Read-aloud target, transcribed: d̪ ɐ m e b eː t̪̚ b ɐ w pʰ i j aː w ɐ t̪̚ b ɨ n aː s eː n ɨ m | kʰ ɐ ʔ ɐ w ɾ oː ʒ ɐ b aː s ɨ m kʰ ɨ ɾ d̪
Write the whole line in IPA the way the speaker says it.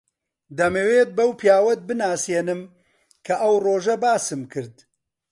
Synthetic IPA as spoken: d̪ ɐ m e w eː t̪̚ b ɐ w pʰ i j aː w ɐ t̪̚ b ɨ n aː s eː n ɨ m | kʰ ɐ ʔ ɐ w r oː ʒ ɐ b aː s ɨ m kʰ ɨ ɾ d̪